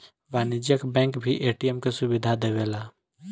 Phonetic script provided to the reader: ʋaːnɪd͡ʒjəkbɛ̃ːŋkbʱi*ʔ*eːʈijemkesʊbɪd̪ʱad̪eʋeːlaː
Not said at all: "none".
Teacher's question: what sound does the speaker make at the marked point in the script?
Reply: ʔ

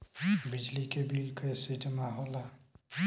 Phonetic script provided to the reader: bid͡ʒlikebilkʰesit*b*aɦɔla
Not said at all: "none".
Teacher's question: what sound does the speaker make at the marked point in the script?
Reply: m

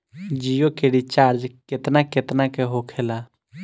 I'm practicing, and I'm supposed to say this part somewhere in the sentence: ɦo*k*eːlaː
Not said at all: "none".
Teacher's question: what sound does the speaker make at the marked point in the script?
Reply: kʰ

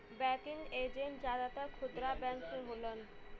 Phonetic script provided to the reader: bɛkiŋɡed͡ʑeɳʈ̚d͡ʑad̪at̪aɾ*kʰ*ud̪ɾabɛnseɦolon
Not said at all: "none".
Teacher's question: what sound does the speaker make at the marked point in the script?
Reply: kʰ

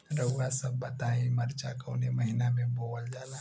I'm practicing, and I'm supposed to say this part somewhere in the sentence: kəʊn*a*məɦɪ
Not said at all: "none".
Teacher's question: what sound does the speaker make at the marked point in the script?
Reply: e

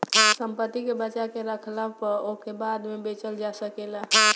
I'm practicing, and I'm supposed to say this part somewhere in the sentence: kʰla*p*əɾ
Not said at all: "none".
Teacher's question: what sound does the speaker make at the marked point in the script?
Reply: p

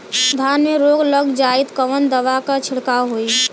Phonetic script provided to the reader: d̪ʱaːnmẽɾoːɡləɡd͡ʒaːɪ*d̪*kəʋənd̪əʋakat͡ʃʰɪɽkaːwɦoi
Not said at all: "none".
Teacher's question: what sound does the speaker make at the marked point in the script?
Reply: t̪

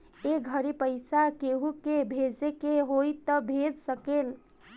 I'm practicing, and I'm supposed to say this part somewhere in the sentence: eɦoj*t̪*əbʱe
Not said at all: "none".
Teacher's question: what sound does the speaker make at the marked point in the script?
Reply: t̪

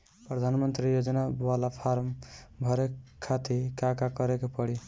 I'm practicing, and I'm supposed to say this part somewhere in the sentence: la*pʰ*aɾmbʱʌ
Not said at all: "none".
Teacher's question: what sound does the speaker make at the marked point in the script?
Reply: pʰ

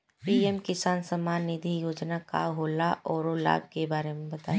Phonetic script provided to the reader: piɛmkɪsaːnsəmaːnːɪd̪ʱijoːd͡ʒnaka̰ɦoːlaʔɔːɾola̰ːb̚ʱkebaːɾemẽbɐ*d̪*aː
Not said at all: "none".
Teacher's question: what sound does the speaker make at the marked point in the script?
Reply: t̪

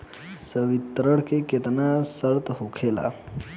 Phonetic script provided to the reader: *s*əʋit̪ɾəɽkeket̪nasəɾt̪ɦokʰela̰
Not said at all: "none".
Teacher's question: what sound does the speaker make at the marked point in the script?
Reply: s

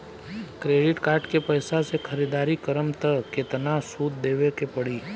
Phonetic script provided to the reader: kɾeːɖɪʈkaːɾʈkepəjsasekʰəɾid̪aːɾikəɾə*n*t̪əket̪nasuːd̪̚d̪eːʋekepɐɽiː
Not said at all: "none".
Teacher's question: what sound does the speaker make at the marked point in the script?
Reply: m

